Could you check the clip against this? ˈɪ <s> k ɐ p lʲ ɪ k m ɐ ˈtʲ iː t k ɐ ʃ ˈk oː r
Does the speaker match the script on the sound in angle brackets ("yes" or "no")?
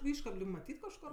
no